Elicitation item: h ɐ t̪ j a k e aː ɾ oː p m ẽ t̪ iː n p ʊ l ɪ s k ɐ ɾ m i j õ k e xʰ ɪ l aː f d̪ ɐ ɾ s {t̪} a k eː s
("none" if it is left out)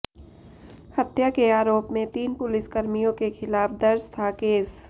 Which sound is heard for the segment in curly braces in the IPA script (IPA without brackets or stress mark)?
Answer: t̪ʰ